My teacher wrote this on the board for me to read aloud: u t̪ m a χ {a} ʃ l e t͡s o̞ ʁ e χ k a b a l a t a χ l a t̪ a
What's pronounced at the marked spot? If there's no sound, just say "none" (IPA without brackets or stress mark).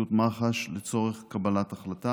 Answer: a